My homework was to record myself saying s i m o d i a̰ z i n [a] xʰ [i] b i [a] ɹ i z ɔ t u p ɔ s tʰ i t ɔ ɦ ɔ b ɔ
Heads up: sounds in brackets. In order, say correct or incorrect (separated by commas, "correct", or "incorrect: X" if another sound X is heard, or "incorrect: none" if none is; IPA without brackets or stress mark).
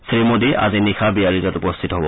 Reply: incorrect: i, incorrect: a, correct